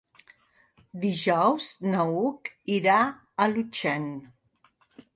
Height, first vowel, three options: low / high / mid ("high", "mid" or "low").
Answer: high